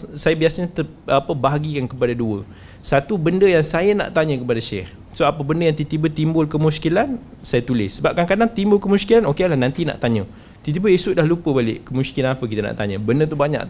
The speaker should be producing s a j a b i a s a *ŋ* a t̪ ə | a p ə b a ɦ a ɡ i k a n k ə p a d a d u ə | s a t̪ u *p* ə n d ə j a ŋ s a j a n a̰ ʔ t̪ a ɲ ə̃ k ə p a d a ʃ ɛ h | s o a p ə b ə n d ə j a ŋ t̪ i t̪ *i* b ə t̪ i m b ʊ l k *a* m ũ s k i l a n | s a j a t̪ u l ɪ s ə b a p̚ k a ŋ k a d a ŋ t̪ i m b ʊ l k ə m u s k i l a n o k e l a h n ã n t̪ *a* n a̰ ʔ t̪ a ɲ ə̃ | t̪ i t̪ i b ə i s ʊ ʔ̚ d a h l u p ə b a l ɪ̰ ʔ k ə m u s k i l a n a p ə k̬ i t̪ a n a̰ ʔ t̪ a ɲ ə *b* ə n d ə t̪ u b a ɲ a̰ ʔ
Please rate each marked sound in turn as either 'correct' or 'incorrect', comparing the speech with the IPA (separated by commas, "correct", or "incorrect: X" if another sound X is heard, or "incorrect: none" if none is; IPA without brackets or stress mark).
incorrect: ɲ, incorrect: b, correct, incorrect: ə, incorrect: i, correct